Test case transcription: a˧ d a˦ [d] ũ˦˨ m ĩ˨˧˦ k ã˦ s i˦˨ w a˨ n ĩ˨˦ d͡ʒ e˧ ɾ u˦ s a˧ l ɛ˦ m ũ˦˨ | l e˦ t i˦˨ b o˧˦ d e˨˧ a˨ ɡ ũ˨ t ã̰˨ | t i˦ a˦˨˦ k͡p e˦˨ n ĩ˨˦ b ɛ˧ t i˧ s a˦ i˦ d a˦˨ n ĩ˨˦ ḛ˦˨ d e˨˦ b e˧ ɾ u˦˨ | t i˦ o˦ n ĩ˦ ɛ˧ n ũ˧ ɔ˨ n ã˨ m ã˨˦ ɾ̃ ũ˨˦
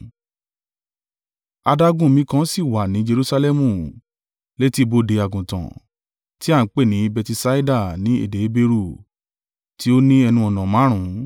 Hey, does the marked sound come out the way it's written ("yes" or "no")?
no